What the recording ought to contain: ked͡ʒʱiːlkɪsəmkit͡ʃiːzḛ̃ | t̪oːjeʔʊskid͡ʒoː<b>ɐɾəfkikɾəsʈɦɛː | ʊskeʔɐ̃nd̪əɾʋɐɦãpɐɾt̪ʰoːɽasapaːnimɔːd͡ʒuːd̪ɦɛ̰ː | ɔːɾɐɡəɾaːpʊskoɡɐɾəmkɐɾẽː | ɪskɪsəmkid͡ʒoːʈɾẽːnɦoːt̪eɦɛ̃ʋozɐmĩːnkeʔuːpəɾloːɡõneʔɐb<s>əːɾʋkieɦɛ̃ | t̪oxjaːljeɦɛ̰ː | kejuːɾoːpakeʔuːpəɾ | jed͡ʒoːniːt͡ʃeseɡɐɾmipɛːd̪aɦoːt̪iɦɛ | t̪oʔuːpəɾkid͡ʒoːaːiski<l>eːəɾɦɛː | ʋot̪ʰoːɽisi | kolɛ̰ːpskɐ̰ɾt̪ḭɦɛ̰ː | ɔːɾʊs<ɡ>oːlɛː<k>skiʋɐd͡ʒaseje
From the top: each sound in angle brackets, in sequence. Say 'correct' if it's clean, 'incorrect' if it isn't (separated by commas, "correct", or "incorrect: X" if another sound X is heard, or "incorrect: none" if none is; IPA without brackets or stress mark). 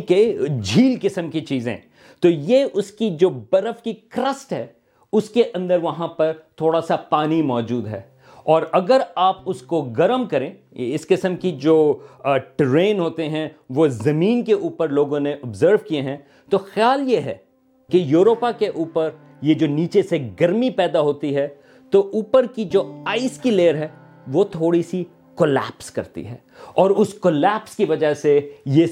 correct, incorrect: z, correct, incorrect: k, incorrect: p